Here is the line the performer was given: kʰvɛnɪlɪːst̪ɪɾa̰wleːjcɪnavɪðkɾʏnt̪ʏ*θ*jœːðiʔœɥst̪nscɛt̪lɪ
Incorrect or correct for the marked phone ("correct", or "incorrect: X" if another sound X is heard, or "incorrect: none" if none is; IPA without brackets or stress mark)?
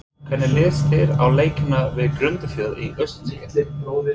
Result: incorrect: f